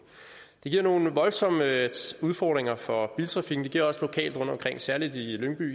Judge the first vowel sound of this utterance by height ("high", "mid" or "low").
mid